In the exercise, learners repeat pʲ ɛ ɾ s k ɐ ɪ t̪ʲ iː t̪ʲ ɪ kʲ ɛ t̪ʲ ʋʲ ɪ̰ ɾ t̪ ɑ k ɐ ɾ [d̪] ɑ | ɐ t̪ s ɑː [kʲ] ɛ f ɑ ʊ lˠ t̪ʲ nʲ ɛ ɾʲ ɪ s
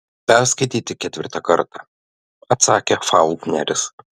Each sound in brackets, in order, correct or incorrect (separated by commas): incorrect, correct